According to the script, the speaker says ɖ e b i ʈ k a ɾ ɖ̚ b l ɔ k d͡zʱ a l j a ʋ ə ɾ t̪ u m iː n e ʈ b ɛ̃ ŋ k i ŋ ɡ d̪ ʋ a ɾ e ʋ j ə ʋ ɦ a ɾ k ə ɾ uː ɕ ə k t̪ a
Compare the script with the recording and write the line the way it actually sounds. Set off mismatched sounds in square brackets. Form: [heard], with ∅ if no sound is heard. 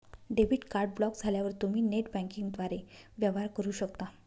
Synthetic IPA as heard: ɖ e b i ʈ k a ɾ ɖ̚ b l ɔ k d͡zʱ a l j a ʋ ə ɾ t̪ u m iː n e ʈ b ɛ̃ ŋ k i ŋ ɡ d̪ ʋ a ɾ e ʋ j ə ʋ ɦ a ɾ k ə ɾ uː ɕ ə k t̪ a